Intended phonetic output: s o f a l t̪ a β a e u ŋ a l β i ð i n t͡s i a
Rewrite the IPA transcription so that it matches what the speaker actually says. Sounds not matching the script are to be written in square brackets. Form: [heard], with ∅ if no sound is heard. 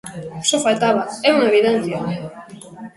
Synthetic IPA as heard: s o f a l t̪ a β a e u [n] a [∅] β i ð [e] n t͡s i a